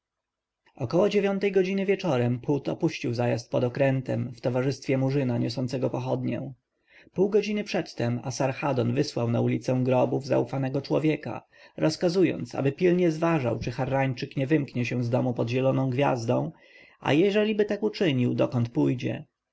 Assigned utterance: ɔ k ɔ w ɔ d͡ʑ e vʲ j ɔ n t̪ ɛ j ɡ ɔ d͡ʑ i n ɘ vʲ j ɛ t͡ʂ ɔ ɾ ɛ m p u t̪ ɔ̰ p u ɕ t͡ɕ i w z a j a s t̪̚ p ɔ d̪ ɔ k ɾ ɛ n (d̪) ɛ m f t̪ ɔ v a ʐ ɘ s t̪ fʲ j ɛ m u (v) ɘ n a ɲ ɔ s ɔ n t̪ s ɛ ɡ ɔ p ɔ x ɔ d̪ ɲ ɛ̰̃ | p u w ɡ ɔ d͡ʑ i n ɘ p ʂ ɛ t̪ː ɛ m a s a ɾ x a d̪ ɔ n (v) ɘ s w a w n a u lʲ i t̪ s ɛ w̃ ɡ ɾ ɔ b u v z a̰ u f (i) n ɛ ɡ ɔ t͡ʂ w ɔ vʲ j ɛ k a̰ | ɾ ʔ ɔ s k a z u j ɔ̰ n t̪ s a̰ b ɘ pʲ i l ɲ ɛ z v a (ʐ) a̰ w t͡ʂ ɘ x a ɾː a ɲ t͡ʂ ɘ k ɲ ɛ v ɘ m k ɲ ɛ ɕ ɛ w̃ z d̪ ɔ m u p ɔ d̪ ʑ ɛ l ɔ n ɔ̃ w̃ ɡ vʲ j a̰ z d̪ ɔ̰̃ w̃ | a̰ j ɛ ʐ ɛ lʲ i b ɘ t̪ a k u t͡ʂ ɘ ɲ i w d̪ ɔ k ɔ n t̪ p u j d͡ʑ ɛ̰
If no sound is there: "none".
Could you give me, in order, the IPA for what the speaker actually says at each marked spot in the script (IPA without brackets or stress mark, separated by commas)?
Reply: t̪, ʐ, v, a, ʐ